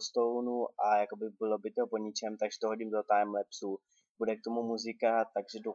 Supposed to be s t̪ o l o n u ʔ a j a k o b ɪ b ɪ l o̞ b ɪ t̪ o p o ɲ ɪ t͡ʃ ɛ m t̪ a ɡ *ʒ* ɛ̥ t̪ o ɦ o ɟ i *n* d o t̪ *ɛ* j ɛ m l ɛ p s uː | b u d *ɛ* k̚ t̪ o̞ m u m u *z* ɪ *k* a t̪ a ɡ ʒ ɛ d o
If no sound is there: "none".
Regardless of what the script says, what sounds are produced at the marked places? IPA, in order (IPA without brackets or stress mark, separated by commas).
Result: ʒ, m, a, ɛ, z, k